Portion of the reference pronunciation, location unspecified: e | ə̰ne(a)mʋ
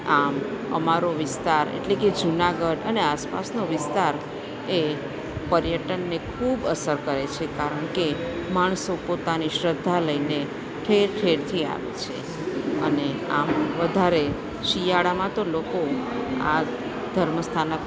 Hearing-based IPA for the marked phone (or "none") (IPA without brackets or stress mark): a